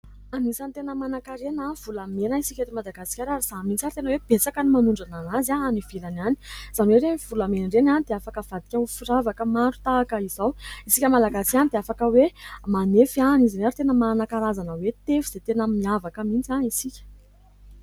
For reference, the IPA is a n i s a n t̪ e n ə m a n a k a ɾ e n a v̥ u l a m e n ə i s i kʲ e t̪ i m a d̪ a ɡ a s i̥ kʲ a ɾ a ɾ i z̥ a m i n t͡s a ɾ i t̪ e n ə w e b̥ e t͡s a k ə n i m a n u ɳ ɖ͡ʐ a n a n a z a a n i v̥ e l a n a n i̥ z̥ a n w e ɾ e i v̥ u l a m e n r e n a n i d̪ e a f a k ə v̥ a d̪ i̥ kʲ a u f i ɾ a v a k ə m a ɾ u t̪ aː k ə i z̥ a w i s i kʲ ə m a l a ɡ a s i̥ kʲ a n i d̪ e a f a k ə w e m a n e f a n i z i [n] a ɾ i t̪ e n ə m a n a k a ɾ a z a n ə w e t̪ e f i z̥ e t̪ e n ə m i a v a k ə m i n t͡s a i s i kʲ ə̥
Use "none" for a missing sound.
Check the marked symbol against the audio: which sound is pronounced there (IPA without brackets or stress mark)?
n